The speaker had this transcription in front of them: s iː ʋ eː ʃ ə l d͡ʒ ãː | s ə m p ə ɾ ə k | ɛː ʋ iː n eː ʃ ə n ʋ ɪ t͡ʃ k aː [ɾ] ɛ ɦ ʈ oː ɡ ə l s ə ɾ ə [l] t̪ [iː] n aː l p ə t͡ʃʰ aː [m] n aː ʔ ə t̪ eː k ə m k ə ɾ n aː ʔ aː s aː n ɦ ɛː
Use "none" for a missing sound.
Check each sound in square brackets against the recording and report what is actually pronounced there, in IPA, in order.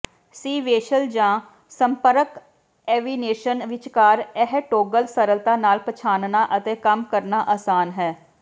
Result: ɾ, l, aː, n

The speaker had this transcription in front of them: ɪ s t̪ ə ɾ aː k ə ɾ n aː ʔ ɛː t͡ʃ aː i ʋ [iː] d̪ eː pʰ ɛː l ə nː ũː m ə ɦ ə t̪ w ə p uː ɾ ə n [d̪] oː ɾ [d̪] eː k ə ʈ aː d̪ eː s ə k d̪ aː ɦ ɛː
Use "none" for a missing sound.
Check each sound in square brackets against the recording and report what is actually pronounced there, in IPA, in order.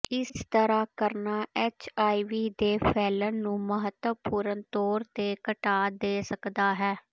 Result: iː, t̪, t̪

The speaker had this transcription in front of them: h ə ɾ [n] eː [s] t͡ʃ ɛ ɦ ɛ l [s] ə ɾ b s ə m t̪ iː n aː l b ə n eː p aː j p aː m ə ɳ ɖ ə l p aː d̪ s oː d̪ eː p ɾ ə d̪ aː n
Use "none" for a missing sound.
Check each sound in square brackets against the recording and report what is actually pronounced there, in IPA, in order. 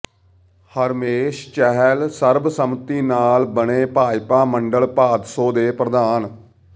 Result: m, ʃ, s

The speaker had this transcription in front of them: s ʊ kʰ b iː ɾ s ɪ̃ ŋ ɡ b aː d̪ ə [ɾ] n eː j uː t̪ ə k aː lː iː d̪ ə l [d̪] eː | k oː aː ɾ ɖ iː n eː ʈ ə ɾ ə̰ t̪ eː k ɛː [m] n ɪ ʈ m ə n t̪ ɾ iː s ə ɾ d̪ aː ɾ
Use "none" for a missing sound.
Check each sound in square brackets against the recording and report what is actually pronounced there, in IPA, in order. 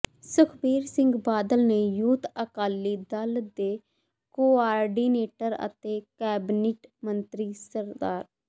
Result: l, d̪, b

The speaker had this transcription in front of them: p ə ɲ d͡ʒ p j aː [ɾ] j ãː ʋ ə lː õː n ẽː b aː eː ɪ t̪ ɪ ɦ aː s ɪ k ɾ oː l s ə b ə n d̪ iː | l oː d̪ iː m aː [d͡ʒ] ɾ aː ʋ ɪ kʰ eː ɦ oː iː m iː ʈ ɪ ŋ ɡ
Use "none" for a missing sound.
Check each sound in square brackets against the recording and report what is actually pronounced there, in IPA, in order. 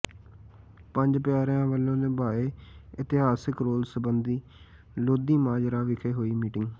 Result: ɾ, d͡ʒ

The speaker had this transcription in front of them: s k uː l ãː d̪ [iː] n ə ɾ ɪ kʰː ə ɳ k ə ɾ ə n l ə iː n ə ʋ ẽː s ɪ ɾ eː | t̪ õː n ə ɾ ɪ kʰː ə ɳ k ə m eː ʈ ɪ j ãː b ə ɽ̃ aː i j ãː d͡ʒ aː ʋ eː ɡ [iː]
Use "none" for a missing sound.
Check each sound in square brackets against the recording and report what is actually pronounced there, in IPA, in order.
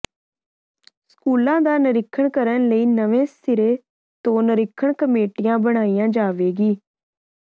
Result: aː, iː

